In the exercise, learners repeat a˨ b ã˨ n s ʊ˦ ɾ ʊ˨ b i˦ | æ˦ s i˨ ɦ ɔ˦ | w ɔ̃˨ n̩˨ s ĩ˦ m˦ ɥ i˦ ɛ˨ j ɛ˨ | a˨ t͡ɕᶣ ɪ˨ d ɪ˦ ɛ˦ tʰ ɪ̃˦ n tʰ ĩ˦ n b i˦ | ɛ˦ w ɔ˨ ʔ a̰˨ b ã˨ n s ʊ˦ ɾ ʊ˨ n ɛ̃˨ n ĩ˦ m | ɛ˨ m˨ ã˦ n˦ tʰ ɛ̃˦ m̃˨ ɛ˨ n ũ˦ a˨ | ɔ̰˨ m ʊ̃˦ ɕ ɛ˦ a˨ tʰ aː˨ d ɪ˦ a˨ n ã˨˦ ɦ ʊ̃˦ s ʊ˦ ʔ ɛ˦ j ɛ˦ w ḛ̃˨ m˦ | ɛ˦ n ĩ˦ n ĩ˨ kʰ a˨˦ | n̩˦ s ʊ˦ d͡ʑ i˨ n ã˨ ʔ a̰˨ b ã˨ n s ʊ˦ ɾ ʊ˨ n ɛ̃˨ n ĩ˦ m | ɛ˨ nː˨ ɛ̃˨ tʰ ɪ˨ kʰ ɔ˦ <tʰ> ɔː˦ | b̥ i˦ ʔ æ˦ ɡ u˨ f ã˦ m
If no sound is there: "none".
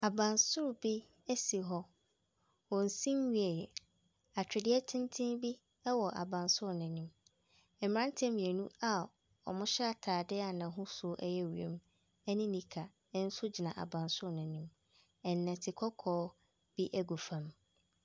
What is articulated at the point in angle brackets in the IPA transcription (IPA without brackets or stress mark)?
kʰ